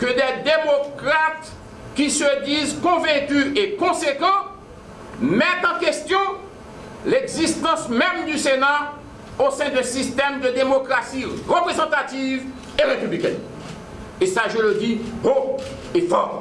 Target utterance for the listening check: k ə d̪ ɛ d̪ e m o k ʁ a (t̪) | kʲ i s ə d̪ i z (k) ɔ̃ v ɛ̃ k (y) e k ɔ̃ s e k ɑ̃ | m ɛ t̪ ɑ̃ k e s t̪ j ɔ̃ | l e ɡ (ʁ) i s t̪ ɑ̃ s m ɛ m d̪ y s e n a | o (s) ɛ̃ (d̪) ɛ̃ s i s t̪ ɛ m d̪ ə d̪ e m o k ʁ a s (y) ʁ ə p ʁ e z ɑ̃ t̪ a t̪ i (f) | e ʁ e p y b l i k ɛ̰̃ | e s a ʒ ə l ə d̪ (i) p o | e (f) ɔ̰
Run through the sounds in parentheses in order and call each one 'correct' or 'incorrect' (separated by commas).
correct, correct, correct, incorrect, correct, correct, incorrect, incorrect, correct, correct